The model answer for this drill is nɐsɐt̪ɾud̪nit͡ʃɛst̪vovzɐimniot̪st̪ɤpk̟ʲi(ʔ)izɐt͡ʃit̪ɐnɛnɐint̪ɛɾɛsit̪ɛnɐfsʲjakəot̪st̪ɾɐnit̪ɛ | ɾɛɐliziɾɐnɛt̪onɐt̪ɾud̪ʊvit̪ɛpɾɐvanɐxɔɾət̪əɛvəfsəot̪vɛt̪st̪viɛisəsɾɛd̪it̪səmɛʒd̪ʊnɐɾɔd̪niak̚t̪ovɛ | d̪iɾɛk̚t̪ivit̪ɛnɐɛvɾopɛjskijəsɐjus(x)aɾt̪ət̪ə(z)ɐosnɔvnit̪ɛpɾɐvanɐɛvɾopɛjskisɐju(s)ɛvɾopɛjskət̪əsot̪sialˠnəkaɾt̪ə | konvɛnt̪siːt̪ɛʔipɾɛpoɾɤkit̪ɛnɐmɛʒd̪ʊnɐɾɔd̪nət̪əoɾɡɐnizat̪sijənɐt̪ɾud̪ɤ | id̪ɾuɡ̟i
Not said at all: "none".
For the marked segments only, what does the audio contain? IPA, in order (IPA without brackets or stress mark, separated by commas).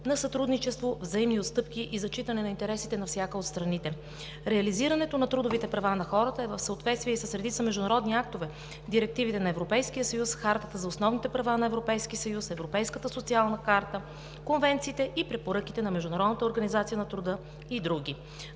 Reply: ʔ, x, z, s